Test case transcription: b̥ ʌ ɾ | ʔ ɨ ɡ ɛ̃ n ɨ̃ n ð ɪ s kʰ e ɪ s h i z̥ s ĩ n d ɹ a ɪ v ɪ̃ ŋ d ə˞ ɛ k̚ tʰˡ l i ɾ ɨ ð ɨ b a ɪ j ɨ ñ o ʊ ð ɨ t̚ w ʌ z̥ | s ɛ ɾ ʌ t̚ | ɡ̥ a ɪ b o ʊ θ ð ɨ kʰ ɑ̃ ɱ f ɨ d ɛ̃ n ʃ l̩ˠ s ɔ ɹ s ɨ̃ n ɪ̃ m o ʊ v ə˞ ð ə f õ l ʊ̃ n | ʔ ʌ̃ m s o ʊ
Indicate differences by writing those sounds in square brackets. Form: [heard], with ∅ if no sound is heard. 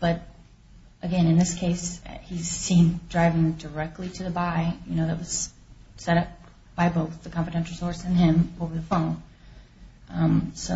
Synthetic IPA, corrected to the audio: b̥ ʌ ɾ | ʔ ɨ ɡ ɛ̃ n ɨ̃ n ð ɪ s kʰ e ɪ s h i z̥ s ĩ n d ɹ a ɪ v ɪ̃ ŋ d ə˞ ɛ k̚ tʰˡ l i ɾ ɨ ð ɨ b a ɪ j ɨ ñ o ʊ ð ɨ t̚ w ʌ z̥ | s ɛ ɾ ʌ [p̚] | [b̥] a ɪ b o ʊ θ ð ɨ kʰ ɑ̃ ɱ f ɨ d ɛ̃ n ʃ l̩ˠ s ɔ ɹ s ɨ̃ n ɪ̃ m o ʊ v ə˞ ð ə f õ [∅] ʊ̃ n | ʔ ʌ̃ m s o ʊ

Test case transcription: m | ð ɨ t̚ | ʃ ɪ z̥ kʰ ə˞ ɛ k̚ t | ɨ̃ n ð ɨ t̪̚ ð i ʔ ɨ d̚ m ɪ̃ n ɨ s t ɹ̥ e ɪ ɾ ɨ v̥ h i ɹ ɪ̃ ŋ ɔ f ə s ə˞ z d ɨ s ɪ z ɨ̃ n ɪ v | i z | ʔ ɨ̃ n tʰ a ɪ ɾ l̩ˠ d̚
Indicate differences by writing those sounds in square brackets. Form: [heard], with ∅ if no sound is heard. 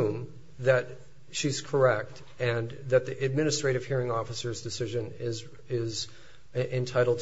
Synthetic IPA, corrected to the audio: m | ð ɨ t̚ | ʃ [i] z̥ kʰ ə˞ ɛ k̚ t | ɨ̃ n ð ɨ t̪̚ ð i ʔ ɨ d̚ m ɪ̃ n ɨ s t ɹ̥ e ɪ ɾ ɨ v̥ h i ɹ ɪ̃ ŋ ɔ f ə s ə˞ z d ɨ s ɪ [ʒ] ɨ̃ n ɪ [z] | [ɪ] z | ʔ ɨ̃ n tʰ a ɪ ɾ l̩ˠ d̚

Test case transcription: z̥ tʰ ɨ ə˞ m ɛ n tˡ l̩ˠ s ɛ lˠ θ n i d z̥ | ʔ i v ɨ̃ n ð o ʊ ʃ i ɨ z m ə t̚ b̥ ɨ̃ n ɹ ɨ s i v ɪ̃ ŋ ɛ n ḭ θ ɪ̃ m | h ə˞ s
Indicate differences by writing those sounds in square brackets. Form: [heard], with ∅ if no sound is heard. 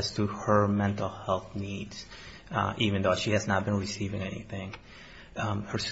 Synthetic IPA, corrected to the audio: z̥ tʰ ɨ ə˞ m [ɛ̃] n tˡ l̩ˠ [h] ɛ lˠ θ n i d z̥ | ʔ i v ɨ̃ n ð o ʊ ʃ i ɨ z [n] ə t̚ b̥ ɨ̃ n ɹ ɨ s i v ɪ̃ ŋ ɛ n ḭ θ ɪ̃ [ŋ] | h ə˞ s

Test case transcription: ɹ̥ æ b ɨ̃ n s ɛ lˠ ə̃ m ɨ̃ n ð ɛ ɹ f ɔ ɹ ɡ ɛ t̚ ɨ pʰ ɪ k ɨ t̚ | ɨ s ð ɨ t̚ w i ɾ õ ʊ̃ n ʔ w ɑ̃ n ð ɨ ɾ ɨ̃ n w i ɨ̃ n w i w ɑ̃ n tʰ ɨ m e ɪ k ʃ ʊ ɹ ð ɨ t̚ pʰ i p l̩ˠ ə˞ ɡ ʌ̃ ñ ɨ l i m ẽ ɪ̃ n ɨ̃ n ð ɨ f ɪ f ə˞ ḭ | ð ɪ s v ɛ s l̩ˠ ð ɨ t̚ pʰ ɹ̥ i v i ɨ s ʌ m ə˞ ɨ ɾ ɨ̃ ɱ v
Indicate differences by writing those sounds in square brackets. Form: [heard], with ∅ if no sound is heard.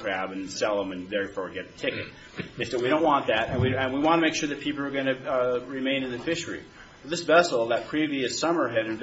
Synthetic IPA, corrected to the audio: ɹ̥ æ b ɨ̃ n s ɛ lˠ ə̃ m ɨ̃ n ð ɛ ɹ f ɔ ɹ ɡ ɛ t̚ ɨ [tʰ] ɪ k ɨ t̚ | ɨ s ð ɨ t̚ w i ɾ õ ʊ̃ n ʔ w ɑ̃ n ð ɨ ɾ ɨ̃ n w i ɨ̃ n w i w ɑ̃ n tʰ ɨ m e ɪ k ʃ ʊ ɹ ð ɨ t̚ pʰ i p l̩ˠ ə˞ ɡ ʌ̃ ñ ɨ [ɹ] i m ẽ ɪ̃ n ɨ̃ n ð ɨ f ɪ [ʃ] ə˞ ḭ | ð ɪ s v ɛ s l̩ˠ ð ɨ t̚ pʰ ɹ̥ i v i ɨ s ʌ m ə˞ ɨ ɾ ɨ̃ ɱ v

